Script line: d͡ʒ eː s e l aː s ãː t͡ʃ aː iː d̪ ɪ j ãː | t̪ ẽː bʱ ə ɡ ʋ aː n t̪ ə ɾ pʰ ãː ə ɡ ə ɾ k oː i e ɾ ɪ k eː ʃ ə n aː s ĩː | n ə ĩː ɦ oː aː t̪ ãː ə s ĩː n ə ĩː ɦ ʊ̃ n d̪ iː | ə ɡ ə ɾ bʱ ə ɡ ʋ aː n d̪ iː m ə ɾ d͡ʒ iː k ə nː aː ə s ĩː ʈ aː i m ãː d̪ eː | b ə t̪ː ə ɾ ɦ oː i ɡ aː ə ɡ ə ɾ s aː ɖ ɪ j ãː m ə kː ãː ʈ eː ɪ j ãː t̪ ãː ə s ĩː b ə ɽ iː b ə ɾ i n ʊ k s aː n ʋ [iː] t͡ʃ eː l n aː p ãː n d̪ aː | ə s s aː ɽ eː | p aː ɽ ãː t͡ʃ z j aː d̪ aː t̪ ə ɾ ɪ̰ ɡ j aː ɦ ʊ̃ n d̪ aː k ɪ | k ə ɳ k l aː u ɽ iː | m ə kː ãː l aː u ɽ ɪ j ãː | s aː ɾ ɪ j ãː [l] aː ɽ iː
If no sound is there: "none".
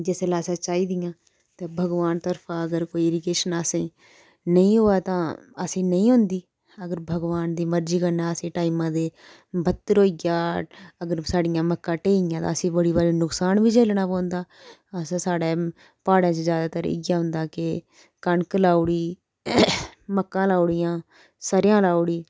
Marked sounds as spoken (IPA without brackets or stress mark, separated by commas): iː, l